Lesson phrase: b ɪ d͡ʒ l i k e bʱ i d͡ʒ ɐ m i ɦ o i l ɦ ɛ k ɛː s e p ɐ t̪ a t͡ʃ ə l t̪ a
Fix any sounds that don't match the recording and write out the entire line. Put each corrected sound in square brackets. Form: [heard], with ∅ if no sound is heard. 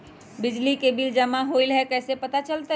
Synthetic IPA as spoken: b ɪ d͡ʒ l i k e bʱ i d͡ʒ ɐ m [a] ɦ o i l ɦ ɛ k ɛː s e p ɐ t̪ a t͡ʃ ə l t̪ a